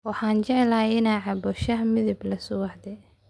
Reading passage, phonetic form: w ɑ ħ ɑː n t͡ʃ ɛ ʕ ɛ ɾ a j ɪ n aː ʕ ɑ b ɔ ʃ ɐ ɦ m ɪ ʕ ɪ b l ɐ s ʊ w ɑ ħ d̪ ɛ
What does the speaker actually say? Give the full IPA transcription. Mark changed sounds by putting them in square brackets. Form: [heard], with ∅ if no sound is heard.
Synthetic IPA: w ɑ ħ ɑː n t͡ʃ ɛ ʕ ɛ [l] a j ɪ n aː ʕ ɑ b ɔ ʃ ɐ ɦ m ɪ [ð] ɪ b l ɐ s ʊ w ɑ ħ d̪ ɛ